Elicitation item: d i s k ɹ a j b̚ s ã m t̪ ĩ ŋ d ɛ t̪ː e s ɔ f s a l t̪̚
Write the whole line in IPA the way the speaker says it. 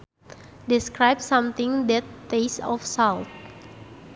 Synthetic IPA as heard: d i s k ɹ a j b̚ s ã m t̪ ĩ ŋ d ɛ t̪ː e s ɔ f s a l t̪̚